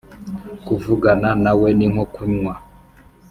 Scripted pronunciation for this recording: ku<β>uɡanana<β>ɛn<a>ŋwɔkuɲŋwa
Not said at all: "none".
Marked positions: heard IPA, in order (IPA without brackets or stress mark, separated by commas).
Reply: v, w, i